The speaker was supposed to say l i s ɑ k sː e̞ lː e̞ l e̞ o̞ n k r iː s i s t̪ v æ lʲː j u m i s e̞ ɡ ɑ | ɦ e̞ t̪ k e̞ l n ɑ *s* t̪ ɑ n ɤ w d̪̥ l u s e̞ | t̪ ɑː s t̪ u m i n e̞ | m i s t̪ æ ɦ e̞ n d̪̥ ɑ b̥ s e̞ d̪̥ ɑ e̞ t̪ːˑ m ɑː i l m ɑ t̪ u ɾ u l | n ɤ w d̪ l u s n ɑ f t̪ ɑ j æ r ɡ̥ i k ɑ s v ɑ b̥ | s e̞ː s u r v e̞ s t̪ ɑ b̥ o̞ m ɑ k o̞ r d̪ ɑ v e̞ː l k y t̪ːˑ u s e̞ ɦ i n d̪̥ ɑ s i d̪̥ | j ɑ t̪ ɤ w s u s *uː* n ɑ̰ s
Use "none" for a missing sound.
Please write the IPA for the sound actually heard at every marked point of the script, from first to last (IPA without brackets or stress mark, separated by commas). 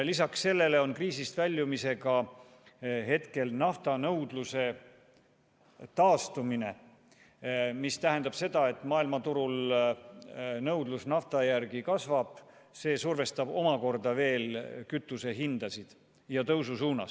f, uː